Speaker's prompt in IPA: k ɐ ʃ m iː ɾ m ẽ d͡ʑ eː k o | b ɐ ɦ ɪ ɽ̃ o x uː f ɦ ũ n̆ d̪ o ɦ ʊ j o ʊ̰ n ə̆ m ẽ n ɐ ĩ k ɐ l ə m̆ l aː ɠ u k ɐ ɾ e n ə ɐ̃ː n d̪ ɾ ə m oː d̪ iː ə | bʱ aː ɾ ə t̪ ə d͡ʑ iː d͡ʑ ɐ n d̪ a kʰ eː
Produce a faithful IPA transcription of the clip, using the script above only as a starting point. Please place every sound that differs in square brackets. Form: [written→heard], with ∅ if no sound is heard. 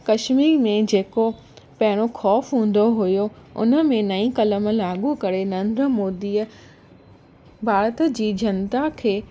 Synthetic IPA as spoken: k ɐ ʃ m iː ɾ m ẽ d͡ʑ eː k o | [b→p] ɐ ɦ ɪ ɽ̃ o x [uː→ɔː] f ɦ [ũ→ũː] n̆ d̪ o ɦ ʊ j o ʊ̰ n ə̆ m ẽ n ɐ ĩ k ɐ l ə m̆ l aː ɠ u k ɐ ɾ e n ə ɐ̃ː n d̪ ɾ ə m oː d̪ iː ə | bʱ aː ɾ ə t̪ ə d͡ʑ iː d͡ʑ ɐ n [d̪→t̪] a kʰ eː